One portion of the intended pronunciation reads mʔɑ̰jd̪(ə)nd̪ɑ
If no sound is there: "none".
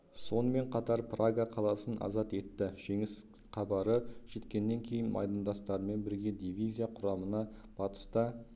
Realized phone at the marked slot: ɑ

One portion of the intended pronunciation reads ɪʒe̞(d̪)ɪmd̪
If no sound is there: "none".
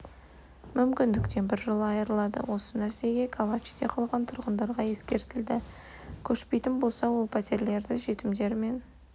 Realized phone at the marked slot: t̪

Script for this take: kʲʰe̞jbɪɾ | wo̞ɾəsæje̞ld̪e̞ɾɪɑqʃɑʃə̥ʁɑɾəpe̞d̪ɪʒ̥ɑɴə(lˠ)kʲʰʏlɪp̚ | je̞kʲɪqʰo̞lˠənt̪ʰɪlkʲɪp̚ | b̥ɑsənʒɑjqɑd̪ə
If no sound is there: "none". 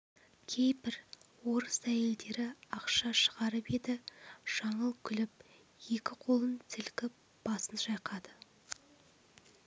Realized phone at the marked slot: lˠ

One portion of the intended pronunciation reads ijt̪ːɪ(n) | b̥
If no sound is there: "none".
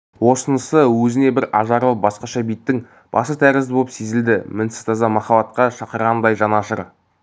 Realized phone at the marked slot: ŋ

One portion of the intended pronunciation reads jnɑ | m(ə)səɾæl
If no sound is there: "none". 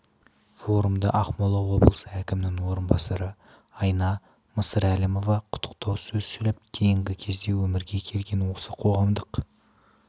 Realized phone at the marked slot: ə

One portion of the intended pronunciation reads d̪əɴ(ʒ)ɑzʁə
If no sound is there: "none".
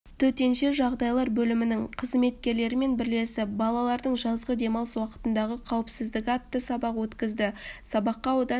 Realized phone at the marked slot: ʒ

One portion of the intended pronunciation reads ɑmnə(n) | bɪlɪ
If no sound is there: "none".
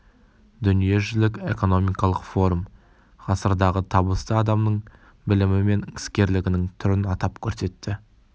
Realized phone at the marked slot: ɴ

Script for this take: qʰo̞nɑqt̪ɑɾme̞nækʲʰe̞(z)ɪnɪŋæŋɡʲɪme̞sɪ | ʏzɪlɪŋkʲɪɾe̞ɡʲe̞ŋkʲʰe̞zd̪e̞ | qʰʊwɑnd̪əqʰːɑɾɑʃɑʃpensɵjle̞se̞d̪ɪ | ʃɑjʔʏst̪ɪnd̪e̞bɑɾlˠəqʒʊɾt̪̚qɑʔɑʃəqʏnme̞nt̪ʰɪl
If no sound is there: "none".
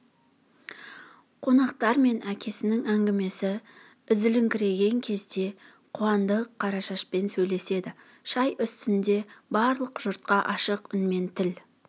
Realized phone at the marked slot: s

